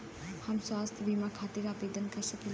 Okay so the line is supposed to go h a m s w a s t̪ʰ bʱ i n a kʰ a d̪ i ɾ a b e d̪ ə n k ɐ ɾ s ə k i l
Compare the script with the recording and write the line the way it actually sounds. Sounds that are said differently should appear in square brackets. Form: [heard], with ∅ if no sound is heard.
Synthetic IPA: h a m s w a s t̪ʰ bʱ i [m] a kʰ a [t̪] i ɾ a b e d̪ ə n k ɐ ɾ s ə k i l